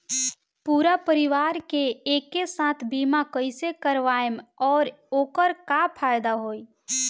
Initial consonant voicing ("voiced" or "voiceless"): voiceless